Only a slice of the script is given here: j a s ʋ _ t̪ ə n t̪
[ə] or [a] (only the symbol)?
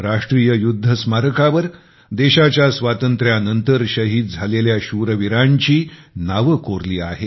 a